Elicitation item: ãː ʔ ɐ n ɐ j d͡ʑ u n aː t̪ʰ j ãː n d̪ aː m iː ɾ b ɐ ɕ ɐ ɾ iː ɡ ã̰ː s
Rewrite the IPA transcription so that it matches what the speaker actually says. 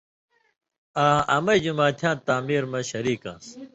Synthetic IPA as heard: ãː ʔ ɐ m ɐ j d͡ʑ u m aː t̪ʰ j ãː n t̪ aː m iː ɾ m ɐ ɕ ɐ ɾ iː k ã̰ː s